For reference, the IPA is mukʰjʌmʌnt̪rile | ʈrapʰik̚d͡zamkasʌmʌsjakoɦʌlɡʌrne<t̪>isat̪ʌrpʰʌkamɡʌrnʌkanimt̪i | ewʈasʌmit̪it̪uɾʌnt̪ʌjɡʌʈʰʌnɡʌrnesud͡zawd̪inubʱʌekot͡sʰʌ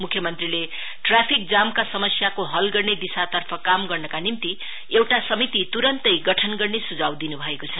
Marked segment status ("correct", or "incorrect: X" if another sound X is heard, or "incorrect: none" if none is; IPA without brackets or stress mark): incorrect: d̪